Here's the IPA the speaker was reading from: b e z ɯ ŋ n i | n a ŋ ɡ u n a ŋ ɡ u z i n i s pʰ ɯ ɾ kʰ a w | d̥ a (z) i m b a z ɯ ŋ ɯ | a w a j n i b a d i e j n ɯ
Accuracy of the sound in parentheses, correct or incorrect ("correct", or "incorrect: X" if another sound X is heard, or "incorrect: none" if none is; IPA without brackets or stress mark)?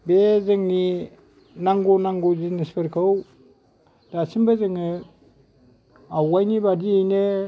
incorrect: s